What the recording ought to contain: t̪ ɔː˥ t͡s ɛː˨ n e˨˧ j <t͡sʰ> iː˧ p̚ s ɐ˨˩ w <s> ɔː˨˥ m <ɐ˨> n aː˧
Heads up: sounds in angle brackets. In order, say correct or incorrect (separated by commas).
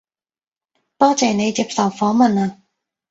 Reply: incorrect, incorrect, correct